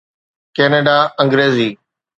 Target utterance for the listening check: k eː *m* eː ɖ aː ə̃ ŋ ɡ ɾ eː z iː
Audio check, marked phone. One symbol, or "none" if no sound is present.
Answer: n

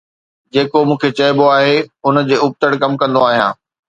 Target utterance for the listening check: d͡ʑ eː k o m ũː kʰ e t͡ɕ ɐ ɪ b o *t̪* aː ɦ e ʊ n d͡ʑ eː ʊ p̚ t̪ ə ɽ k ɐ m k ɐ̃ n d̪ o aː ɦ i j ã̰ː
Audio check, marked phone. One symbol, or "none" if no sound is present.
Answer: none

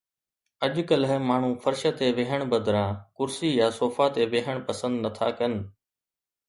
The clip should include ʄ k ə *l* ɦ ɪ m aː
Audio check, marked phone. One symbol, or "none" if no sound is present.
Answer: l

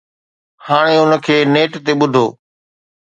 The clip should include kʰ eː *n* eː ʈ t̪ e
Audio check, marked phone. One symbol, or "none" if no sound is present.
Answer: n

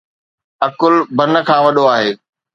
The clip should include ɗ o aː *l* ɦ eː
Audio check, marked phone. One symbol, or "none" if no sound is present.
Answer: none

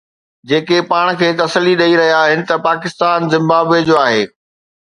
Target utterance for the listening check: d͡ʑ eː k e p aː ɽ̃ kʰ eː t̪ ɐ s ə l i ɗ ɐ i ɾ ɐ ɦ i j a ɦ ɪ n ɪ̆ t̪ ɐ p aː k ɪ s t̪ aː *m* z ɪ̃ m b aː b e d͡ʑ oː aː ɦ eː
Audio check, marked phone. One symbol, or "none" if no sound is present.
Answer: n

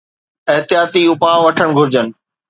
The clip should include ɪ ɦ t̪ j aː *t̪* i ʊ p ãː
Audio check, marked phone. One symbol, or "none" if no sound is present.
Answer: t̪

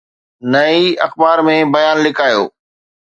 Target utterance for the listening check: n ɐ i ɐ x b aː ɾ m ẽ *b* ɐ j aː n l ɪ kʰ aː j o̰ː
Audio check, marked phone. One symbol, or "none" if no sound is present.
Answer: b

